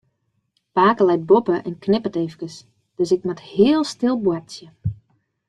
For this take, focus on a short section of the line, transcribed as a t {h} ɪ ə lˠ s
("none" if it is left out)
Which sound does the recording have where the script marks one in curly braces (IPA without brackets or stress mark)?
h